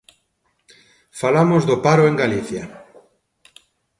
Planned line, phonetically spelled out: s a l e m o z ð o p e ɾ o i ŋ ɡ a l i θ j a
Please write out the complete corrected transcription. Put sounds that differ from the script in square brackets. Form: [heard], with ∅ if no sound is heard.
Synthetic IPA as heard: [f] a l [a] m o z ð o p [a] ɾ o [e] ŋ ɡ a l i θ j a